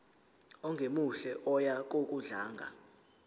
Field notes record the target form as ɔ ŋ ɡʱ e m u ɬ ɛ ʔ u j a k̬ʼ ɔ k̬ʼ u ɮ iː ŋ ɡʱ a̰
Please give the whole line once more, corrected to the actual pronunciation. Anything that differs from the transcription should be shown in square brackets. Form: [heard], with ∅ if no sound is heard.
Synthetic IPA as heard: ɔ ŋ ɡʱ e m u ɬ ɛ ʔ [ɔ] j a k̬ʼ [o] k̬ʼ u ɮ [aː] ŋ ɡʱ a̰